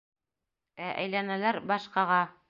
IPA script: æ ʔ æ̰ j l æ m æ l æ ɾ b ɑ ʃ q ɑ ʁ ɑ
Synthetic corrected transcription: æ ʔ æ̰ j l æ n æ l æ ɾ b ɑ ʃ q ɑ ʁ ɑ